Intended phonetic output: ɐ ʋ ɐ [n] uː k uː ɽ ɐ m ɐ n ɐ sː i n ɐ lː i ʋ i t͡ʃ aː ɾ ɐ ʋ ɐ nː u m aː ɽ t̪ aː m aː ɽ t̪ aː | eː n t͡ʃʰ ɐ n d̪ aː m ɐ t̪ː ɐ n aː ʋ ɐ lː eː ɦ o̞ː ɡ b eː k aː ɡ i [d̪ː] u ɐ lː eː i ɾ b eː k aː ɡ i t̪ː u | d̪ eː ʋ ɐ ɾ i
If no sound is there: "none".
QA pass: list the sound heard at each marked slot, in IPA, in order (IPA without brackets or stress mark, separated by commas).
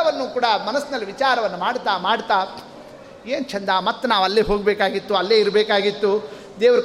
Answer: nː, t̪ː